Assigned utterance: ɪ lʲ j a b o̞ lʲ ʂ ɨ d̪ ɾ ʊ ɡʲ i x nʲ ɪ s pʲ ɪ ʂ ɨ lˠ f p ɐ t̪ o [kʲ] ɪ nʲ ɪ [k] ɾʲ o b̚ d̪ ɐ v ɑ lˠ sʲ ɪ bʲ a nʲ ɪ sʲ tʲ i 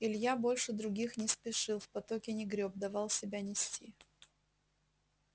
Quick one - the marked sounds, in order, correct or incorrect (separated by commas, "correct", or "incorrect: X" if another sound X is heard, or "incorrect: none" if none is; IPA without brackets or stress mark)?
correct, incorrect: ɡ